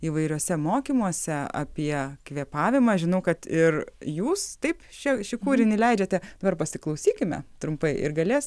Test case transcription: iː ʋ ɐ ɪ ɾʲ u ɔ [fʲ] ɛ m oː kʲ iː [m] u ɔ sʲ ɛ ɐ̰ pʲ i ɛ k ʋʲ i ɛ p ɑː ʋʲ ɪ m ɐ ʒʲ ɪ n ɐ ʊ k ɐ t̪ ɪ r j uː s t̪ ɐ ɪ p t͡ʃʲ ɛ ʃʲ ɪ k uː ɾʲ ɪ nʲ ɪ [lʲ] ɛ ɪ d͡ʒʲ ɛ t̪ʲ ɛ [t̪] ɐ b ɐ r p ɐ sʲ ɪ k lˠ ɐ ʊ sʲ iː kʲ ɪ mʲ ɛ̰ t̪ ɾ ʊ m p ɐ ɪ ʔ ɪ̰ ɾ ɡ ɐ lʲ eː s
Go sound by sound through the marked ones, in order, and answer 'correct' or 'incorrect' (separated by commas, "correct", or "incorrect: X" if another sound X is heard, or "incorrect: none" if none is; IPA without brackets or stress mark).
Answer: incorrect: sʲ, correct, correct, incorrect: d̪